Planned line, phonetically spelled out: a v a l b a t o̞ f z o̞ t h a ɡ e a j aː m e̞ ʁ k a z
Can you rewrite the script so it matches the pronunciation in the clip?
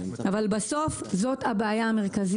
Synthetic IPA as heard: a v a l b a s o̞ f z o̞ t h a b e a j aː m e̞ ʁ k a z